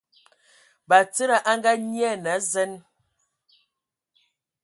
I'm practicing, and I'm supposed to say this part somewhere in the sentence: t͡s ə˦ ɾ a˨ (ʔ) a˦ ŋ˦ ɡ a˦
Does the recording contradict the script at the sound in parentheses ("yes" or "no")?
no